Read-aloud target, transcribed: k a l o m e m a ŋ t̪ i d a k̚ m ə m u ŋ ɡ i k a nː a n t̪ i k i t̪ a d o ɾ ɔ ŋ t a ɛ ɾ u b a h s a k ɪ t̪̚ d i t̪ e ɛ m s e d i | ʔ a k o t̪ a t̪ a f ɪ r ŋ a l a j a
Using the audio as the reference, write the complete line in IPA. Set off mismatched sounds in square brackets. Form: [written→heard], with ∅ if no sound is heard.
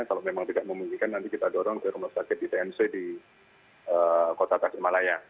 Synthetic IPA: k a l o m e m a ŋ t̪ i d a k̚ m ə m u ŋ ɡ i k a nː a n t̪ i k i t̪ a d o ɾ ɔ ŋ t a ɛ ɾ u [b→m] a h s a k ɪ t̪̚ d i t̪ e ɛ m s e d i | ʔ [a→ə] k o t̪ a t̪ a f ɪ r [ŋ→m] a l a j a